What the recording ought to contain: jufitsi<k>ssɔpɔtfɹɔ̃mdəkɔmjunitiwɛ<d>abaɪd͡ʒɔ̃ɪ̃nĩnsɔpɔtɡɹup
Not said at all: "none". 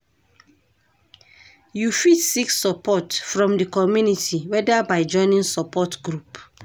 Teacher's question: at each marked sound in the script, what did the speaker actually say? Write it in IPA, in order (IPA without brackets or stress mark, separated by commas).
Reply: k, d